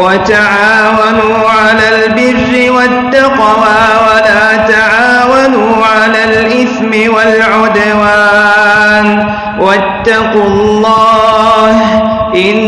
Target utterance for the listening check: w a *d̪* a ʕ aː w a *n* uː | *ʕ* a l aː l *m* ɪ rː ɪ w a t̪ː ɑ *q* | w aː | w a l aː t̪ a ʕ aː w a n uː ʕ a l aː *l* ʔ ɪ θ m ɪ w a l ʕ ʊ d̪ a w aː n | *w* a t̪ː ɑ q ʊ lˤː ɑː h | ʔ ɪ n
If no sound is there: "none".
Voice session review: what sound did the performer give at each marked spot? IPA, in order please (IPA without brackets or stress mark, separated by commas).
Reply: t̪, n, ʕ, b, q, l, w